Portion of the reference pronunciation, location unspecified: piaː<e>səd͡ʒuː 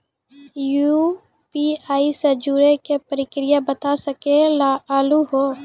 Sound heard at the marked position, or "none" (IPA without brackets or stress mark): i